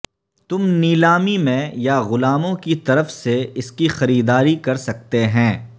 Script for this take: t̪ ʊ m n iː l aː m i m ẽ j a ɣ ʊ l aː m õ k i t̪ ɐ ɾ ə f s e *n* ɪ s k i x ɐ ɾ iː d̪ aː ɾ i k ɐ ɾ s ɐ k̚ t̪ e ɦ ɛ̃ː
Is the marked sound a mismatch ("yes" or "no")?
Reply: yes